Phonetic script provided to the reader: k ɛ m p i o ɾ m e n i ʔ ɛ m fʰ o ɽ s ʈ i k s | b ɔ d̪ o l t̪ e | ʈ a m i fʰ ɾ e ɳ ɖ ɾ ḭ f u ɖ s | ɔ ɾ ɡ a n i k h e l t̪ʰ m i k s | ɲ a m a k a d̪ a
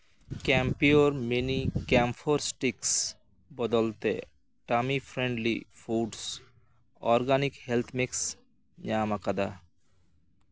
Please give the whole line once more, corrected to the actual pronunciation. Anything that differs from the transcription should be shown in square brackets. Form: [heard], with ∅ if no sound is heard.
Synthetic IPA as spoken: k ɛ m p i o ɾ m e n i [k] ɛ m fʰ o [ɾ] s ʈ i k s | b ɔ d̪ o l t̪ e | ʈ a m i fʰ ɾ e ɳ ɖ [l] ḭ f u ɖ s | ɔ ɾ ɡ a n i k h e l t̪ʰ m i k s | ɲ a m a k a d̪ a